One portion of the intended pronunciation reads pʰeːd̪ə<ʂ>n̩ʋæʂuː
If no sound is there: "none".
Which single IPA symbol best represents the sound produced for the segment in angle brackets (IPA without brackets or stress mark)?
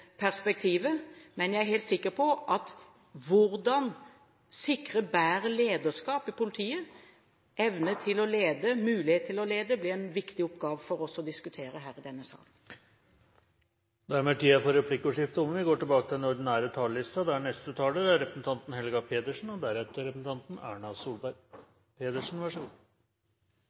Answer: ʂ